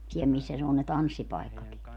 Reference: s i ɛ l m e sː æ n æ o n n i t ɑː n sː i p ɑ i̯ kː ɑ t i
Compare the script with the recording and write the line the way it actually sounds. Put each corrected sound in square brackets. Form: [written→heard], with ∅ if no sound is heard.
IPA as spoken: s i ɛ l m [e→i] sː æ n [æ→e] o n n [i→e] t [ɑː→ɑ] n sː i p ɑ i̯ kː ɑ [t→k] i